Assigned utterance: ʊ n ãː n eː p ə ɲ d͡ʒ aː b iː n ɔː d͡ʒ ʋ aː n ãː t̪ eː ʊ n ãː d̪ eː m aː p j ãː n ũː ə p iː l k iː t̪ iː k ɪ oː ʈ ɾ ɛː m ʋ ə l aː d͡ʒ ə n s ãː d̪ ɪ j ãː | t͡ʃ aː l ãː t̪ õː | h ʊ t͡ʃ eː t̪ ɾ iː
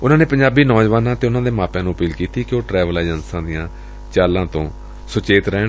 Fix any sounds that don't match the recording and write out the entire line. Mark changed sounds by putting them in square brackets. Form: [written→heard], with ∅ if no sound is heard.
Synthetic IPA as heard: ʊ n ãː n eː p ə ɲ d͡ʒ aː b iː n ɔː d͡ʒ ʋ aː n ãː t̪ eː ʊ n ãː d̪ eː m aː p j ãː n ũː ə p iː l k iː t̪ iː k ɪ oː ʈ ɾ ɛː [m→∅] ʋ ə l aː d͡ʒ ə n s ãː d̪ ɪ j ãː | t͡ʃ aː l ãː t̪ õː | [h→s] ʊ t͡ʃ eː t̪ ɾ [iː→ɛː]